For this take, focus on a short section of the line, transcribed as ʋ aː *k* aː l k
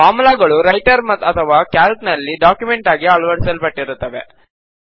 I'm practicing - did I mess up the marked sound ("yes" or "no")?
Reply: no